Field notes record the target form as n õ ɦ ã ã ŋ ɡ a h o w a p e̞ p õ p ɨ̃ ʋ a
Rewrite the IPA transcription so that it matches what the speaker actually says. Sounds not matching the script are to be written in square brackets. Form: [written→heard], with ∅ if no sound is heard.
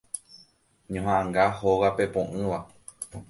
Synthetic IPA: [n→ɲ] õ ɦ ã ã ŋ ɡ a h o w a p e̞ p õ [p→ʔ] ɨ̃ ʋ a